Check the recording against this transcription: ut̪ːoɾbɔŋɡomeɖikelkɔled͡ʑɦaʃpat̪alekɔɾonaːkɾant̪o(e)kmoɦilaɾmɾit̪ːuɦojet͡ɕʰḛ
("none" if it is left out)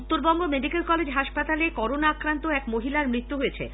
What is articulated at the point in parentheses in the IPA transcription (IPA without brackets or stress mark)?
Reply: ɛ